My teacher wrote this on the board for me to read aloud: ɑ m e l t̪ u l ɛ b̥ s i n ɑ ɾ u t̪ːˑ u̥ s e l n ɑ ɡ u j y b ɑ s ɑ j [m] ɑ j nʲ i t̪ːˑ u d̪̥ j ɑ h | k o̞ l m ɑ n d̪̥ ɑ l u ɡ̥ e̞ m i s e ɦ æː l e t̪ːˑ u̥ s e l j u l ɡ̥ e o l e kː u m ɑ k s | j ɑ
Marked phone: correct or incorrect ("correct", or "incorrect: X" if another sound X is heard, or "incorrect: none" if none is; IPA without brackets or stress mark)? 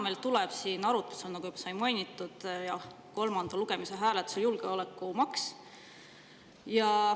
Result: correct